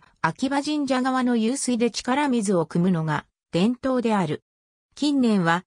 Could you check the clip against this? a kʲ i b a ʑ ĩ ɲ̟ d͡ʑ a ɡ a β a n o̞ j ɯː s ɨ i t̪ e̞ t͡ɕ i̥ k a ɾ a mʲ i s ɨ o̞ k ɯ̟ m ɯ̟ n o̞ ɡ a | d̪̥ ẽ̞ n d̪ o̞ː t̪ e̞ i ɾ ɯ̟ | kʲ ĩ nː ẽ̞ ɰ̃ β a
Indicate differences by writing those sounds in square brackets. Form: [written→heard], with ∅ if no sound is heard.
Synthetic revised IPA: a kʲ i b a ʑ ĩ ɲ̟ d͡ʑ a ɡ a β a n o̞ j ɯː s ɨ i [t̪→d̪] e̞ t͡ɕ i̥ k a ɾ a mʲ i [s→z] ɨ o̞ k ɯ̟ m ɯ̟ n o̞ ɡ a | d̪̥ ẽ̞ n [d̪→t̪] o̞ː [t̪→d̪] e̞ [i→a] ɾ ɯ̟ | kʲ ĩ nː ẽ̞ ɰ̃ β a